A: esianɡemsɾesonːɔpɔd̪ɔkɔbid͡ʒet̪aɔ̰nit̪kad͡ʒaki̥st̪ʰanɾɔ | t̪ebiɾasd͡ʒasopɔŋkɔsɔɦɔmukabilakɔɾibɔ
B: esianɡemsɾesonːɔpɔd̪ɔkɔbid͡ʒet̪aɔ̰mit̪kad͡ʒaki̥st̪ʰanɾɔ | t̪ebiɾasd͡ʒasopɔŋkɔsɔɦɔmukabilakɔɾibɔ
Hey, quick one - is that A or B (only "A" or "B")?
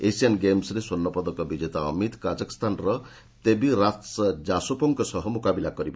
B